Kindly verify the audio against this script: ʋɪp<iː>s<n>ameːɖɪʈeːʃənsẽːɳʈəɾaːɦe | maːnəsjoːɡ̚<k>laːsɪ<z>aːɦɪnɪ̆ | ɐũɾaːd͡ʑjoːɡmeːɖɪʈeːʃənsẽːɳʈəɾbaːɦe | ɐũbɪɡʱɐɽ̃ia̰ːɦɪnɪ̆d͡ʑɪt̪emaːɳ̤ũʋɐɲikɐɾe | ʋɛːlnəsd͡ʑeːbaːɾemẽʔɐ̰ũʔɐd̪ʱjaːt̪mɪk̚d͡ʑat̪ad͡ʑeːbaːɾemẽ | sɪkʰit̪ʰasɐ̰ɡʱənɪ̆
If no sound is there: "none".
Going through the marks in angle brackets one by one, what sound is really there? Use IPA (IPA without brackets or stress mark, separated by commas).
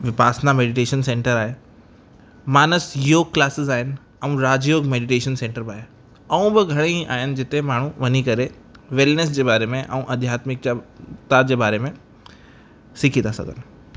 aː, n, k, z